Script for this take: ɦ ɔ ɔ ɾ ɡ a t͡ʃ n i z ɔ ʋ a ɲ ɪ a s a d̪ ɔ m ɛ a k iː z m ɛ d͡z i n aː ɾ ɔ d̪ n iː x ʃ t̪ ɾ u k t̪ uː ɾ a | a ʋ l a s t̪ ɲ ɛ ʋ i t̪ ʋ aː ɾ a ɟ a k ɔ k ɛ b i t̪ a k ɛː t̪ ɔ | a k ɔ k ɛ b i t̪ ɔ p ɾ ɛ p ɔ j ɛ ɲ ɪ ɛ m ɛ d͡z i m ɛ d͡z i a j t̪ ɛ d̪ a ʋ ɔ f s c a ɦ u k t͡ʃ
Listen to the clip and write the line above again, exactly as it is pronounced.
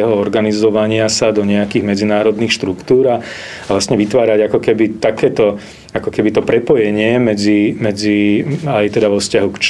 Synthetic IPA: ɦ ɔ ɔ ɾ ɡ a n i z ɔ ʋ a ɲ ɪ a s a d̪ ɔ ɲ ɛ a k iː ɣ m ɛ d͡z i n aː ɾ ɔ d̪ n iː x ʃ t̪ ɾ u k t̪ uː ɾ a | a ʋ l a s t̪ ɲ ɛ ʋ i t̪ ʋ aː ɾ a ɟ a k ɔ k ɛ b i t̪ a k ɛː t̪ ɔ | a k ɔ k ɛ b i t̪ ɔ p ɾ ɛ p ɔ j ɛ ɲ ɪ ɛ m ɛ d͡z i m ɛ d͡z i a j t̪ ɛ d̪ a ʋ ɔ f s c a ɦ u k t͡ʃ